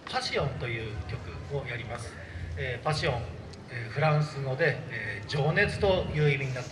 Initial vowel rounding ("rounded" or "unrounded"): unrounded